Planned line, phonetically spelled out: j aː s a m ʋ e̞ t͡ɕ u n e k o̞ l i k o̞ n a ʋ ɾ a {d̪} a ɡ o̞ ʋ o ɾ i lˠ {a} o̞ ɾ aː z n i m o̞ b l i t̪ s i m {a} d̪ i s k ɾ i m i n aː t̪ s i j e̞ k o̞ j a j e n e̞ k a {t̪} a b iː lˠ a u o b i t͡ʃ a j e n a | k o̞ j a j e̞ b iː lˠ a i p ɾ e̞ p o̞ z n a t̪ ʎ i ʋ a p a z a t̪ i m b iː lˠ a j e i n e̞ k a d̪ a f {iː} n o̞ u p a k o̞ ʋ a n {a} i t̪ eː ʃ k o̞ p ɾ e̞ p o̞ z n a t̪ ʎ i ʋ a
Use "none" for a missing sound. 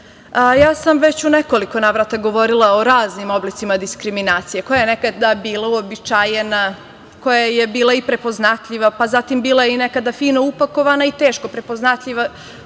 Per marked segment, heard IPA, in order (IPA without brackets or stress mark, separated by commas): t̪, a, a, d̪, iː, a